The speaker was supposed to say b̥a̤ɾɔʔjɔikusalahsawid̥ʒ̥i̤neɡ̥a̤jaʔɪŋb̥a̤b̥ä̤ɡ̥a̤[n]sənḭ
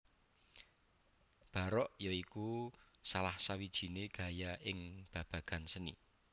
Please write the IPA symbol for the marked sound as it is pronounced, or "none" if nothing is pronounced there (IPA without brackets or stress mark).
n